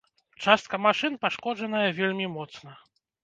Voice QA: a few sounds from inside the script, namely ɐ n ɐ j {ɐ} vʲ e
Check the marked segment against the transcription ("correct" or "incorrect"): correct